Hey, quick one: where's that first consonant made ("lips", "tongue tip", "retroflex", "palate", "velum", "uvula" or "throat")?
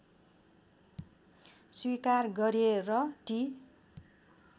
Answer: tongue tip